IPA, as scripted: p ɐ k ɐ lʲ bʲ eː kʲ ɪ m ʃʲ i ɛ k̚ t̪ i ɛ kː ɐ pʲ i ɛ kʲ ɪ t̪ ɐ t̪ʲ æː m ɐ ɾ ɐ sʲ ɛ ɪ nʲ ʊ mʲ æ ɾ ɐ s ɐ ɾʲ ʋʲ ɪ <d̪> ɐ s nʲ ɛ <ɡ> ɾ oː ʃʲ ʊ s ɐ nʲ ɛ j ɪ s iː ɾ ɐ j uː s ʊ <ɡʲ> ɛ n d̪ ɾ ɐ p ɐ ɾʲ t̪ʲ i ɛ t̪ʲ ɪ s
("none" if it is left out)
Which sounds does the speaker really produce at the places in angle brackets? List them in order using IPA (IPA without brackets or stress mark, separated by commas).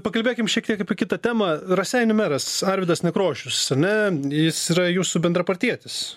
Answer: d̪, k, bʲ